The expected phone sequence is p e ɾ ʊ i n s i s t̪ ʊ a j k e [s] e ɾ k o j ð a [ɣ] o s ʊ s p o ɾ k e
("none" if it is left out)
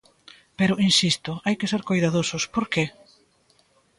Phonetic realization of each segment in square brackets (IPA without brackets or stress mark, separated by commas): s, ð